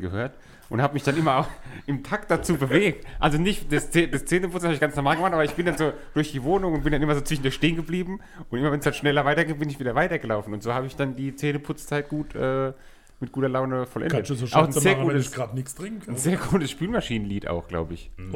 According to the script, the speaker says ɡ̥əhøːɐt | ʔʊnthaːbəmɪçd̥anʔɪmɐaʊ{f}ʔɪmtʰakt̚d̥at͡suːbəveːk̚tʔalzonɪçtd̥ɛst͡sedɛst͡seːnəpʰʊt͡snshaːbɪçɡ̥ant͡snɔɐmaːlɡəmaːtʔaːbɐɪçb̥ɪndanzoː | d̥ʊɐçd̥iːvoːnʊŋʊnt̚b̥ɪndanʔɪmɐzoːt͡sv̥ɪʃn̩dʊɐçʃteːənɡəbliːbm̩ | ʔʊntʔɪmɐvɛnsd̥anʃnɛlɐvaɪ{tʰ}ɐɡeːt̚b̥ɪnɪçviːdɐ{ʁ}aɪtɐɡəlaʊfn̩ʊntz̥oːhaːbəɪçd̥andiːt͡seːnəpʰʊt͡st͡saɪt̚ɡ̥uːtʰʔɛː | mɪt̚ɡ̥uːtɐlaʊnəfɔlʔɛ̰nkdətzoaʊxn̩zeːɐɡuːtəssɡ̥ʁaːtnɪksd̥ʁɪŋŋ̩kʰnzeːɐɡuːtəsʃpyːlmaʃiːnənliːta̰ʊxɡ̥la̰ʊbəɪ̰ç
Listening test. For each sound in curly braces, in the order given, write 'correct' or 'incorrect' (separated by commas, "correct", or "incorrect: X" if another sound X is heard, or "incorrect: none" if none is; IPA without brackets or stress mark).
incorrect: x, incorrect: t, incorrect: v